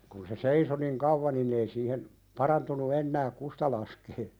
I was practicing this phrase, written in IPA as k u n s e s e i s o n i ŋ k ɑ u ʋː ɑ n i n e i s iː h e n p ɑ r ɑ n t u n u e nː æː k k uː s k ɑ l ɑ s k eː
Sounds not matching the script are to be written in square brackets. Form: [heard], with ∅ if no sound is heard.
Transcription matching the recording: k u n s e s e i s o n i ŋ k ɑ u ʋː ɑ n i n e i s iː h e n p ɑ r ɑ n t u n u e nː æː k k [u] s [t] ɑ l ɑ s k eː